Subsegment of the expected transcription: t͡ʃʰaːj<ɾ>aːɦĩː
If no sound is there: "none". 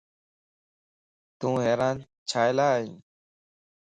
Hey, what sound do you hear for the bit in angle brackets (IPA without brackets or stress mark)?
l